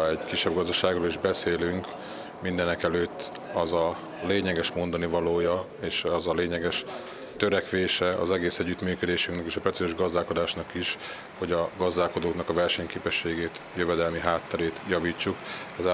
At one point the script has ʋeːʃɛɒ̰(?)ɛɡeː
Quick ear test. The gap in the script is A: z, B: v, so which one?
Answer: A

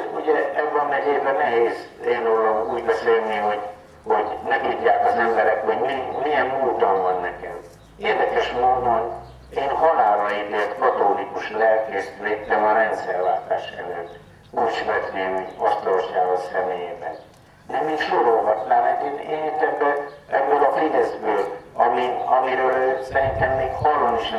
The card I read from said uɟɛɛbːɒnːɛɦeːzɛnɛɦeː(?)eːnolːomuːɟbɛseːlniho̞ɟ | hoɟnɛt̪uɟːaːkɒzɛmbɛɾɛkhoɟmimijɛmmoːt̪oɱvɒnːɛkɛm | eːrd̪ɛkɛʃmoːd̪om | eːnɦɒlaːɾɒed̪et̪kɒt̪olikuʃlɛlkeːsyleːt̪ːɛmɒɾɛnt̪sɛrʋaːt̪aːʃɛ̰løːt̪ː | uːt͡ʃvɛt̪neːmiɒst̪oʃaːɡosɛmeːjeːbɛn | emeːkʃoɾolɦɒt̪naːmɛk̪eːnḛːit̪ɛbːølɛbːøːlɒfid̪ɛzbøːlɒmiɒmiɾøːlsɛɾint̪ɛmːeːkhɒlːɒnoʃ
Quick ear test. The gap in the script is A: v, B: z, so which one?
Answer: B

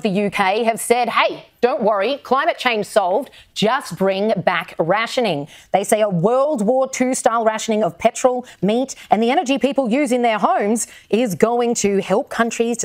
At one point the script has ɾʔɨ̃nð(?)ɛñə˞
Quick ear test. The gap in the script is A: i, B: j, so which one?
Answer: A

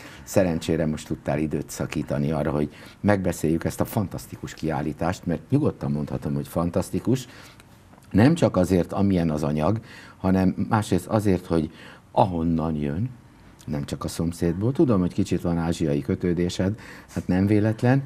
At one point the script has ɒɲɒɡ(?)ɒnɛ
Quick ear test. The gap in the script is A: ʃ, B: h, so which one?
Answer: B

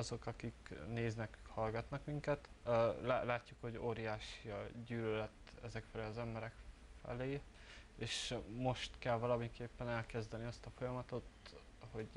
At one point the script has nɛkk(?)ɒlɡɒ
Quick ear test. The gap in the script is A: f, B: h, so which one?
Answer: B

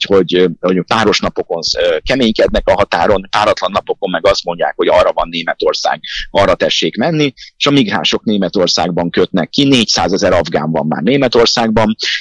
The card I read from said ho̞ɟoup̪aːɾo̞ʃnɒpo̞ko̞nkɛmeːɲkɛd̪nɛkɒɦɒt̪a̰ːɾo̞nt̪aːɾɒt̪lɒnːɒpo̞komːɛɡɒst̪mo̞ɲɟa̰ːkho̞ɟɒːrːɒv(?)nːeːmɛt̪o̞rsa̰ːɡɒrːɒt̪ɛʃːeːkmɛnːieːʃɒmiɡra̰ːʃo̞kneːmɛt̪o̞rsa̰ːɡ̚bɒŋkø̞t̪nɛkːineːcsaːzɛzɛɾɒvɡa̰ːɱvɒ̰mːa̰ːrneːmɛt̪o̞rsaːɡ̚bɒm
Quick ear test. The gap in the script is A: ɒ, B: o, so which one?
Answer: A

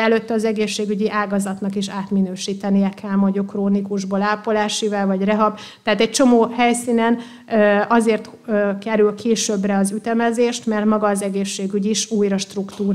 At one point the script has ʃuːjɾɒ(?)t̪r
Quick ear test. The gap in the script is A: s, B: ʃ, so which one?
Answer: B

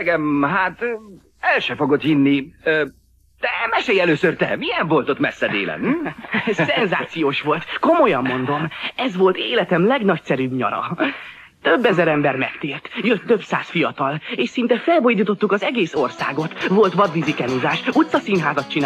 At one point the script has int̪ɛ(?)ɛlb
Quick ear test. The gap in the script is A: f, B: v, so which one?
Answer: A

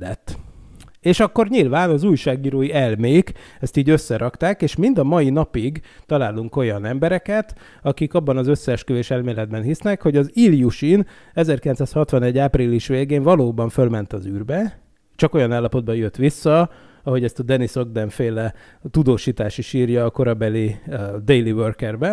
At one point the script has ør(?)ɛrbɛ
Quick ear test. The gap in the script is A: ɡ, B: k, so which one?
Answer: B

